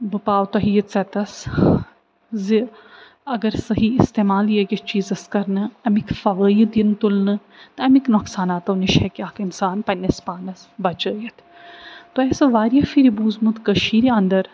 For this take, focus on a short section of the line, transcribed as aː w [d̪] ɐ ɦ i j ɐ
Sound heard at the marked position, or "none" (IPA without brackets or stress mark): t̪